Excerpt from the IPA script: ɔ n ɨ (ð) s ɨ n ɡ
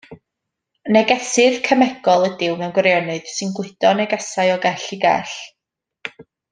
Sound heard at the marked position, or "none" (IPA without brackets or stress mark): ð